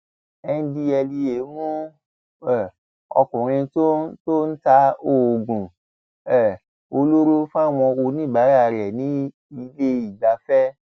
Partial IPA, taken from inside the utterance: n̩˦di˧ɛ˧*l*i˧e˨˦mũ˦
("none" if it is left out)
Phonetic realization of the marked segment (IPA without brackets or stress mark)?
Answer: l